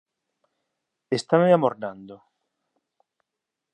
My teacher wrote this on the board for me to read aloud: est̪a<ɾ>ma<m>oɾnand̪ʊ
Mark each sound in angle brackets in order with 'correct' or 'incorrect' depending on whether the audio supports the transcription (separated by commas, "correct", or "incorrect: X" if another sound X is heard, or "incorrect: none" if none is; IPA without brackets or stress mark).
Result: incorrect: none, correct